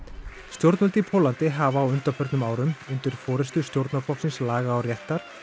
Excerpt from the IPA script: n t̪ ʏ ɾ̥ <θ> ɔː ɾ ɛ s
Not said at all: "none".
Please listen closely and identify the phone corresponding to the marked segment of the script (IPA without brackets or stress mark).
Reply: f